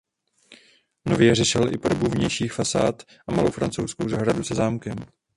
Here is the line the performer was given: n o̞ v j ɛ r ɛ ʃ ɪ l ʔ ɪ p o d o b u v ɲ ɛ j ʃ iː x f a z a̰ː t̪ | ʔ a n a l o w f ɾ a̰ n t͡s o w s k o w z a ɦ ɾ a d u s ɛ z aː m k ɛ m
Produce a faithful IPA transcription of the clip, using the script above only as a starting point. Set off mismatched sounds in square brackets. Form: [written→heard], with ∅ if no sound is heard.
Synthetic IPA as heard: n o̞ v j ɛ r ɛ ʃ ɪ l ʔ ɪ p o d o b u v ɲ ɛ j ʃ iː x f a [z→s] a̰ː t̪ | ʔ a [n→m] a l o w f ɾ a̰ n t͡s o w s k o w z a ɦ ɾ a d u s ɛ z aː m k ɛ m